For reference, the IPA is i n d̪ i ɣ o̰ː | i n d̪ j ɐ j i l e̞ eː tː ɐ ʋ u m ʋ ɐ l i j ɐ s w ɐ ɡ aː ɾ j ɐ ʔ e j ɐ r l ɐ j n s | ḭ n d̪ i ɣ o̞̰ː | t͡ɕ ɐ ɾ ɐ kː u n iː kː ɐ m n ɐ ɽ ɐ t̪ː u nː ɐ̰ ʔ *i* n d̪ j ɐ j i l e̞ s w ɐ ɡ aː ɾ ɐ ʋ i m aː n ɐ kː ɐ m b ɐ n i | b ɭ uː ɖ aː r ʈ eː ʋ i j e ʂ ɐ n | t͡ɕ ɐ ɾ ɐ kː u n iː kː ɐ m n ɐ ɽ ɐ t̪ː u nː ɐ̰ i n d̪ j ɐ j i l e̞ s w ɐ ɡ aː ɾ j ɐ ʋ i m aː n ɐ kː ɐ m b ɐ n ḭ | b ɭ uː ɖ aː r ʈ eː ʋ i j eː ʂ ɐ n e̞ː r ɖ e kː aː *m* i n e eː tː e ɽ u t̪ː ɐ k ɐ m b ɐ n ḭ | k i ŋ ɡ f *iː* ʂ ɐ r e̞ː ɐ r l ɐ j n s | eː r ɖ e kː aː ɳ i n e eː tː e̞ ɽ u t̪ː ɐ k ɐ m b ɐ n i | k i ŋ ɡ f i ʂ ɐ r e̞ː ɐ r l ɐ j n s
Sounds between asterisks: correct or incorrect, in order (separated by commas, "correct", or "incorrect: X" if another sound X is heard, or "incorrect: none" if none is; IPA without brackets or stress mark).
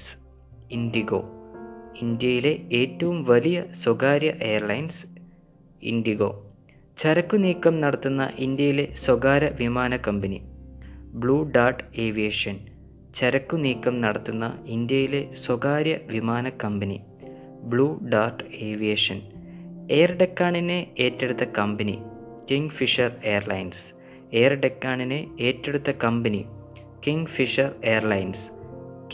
correct, incorrect: ɳ, incorrect: i